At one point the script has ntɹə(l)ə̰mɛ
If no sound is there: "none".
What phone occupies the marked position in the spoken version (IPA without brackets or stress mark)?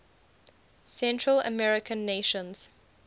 l